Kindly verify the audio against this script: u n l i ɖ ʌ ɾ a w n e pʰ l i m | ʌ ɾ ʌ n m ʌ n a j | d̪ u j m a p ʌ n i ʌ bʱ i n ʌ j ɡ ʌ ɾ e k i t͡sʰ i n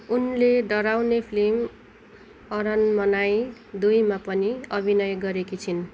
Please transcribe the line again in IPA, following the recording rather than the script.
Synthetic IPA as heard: u n l e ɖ ʌ ɾ a w n e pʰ l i m | ʌ ɾ ʌ n m ʌ n a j | d̪ u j m a p ʌ n i ʌ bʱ i n ʌ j ɡ ʌ ɾ e k i t͡sʰ i n

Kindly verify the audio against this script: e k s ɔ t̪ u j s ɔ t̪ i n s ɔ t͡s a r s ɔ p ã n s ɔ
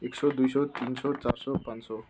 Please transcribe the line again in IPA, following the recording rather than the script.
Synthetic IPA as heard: e k s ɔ d̪ u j s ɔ t̪ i n s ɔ t͡s a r s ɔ p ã n s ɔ

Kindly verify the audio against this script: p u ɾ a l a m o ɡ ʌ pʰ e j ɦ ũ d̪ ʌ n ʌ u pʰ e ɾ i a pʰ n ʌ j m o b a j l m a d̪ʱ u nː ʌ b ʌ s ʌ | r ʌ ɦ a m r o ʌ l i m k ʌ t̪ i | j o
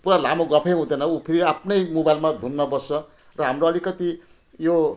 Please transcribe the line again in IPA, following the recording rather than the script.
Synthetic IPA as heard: p u ɾ a l a m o ɡ ʌ pʰ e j ɦ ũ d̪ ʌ n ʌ u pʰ i ɾ i a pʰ n ʌ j m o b a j l m a d̪ʱ u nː ʌ b ʌ s ʌ | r ʌ ɦ a m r o ʌ l i k ʌ t̪ i | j o

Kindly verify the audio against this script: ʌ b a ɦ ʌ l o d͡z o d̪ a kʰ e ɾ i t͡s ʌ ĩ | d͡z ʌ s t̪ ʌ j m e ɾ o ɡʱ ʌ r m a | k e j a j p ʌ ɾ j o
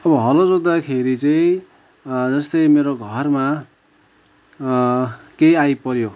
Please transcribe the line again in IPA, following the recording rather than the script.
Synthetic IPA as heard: ʌ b ʌ ɦ ʌ l o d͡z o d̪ a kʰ e ɾ i t͡s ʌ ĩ | d͡z ʌ s t̪ ʌ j m e ɾ o ɡʱ ʌ r m a | k e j a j p ʌ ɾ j o

